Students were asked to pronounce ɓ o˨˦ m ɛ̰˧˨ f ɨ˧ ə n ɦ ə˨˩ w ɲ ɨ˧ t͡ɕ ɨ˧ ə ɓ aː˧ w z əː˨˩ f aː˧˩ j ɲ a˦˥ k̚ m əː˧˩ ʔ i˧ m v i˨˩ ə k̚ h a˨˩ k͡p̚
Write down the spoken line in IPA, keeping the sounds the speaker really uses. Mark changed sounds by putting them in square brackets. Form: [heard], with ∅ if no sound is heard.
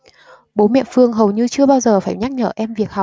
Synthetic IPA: ɓ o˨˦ m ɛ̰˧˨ f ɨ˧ ə [ŋ] ɦ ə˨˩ w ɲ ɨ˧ t͡ɕ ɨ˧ ə ɓ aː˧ w z əː˨˩ f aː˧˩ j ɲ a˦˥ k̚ [ɲ] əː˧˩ ʔ [ɛ˧] m v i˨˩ ə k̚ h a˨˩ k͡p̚

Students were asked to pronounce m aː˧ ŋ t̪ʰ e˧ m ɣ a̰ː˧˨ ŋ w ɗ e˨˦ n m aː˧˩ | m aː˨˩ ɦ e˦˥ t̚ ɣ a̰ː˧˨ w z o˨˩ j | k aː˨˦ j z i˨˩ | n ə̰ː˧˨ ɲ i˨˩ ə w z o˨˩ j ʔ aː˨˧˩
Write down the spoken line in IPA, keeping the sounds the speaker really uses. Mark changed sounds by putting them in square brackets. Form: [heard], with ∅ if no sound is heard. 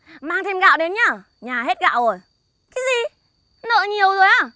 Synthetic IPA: m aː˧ ŋ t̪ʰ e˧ m ɣ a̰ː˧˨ [∅] w ɗ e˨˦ n [ɲ] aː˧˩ | [ɲ] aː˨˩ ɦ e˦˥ t̚ ɣ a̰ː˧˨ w z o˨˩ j | k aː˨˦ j z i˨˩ | n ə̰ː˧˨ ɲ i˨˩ ə w z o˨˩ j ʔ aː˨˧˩

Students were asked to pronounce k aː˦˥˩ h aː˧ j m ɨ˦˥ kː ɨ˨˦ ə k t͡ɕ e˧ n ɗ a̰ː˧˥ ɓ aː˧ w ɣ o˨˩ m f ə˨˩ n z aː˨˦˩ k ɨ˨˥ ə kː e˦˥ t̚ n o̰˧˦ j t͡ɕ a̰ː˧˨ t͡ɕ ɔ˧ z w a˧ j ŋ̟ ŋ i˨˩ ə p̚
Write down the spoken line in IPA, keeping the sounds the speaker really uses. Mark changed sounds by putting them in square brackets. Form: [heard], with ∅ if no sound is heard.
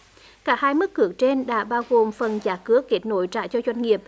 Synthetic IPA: k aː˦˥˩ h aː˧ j m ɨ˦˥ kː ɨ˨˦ ə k t͡ɕ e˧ n ɗ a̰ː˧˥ ɓ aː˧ w ɣ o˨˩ m f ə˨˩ n z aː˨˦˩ k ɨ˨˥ ə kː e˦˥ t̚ n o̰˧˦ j t͡ɕ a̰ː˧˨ t͡ɕ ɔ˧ z w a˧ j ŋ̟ ŋ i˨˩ ə p̚

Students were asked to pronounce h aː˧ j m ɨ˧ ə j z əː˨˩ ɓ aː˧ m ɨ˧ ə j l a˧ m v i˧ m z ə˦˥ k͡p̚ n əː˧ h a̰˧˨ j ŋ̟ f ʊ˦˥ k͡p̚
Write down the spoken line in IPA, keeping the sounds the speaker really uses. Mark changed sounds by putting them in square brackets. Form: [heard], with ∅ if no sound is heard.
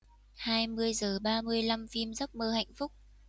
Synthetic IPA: h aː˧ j m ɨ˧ ə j z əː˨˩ ɓ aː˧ m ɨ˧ ə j l a˧ m [f] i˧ m z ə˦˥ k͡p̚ [m] əː˧ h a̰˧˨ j ŋ̟ f ʊ˦˥ k͡p̚

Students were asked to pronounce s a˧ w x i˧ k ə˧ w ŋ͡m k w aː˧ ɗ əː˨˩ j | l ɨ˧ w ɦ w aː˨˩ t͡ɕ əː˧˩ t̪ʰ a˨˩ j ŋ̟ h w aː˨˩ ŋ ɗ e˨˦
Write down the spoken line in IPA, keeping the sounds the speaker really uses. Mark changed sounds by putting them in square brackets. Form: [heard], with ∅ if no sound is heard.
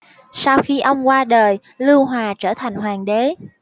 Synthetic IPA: s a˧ w x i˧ [ʔ] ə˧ w ŋ͡m k w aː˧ ɗ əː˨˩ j | l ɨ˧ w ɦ w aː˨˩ t͡ɕ əː˧˩ t̪ʰ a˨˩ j ŋ̟ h w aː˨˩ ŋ ɗ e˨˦

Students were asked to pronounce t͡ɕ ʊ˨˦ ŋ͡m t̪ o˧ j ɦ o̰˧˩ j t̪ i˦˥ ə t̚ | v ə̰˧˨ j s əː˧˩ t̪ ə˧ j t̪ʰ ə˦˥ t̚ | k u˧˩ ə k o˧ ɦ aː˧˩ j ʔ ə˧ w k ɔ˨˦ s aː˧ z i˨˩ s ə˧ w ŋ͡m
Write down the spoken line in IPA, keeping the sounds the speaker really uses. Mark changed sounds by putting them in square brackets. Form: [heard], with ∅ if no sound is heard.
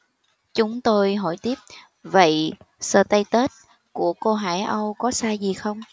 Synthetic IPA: t͡ɕ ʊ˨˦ ŋ͡m t̪ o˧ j ɦ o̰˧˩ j t̪ i˦˥ ə [p̚] | v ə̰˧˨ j s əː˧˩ t̪ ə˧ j [t̪] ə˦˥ t̚ | k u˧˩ ə k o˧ ɦ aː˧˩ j ʔ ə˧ w k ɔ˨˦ s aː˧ z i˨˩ [x] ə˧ w ŋ͡m

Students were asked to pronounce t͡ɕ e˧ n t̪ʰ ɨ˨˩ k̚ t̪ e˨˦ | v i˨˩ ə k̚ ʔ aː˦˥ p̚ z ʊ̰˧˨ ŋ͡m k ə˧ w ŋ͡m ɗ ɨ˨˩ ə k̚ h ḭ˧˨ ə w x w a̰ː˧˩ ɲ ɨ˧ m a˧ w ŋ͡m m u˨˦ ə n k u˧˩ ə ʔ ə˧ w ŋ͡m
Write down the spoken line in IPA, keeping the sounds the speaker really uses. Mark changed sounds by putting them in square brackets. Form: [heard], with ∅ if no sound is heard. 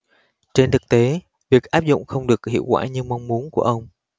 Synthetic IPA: t͡ɕ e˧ n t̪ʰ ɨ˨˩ k̚ t̪ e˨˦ | v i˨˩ ə k̚ ʔ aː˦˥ p̚ z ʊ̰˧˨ ŋ͡m [x] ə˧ w ŋ͡m ɗ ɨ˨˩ ə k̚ h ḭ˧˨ ə w [k] w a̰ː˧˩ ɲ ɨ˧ m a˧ w ŋ͡m m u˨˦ ə n k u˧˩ ə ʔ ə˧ w ŋ͡m

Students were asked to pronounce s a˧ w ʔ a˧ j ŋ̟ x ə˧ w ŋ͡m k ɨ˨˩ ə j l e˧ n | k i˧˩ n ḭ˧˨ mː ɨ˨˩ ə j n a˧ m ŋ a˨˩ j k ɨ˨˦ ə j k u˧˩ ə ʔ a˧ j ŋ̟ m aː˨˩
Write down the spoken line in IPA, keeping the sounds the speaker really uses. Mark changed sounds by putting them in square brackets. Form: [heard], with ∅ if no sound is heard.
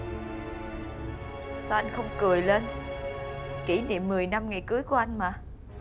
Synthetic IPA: s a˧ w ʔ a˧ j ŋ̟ x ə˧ w ŋ͡m k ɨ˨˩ ə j l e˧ n | k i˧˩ n ḭ˧˨ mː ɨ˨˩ ə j n a˧ m ŋ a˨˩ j k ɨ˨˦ ə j k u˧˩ ə ʔ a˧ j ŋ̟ m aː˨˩

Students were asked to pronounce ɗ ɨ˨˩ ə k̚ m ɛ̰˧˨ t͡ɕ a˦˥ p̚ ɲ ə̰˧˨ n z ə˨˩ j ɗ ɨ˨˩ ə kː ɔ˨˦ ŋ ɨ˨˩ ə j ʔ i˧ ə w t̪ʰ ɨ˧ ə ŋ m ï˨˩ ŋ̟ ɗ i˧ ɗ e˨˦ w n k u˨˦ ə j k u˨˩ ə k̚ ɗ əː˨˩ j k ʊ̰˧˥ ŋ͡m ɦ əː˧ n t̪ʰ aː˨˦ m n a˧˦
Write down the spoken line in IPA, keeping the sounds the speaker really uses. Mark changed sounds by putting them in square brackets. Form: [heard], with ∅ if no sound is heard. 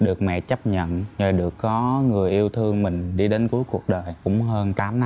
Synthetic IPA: ɗ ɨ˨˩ ə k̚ m ɛ̰˧˨ t͡ɕ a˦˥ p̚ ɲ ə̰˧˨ n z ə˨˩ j ɗ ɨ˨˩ ə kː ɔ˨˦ ŋ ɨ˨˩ ə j ʔ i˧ ə w t̪ʰ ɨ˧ ə ŋ m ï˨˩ ŋ̟ ɗ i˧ ɗ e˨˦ [∅] n k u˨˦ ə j k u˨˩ ə k̚ ɗ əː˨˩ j k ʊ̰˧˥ ŋ͡m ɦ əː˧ n [t̪] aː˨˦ m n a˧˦

